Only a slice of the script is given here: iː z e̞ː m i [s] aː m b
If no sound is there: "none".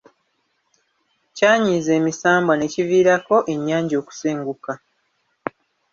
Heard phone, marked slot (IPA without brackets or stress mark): s